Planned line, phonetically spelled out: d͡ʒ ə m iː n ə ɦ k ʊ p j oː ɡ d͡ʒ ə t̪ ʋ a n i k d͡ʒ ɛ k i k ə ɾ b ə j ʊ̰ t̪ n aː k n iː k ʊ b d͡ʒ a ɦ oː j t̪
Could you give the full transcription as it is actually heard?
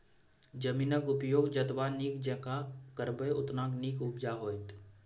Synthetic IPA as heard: d͡ʒ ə m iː n ə k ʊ p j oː ɡ d͡ʒ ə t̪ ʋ a n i k d͡ʒ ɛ k a k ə ɾ b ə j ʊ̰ t̪ n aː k n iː k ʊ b d͡ʒ a ɦ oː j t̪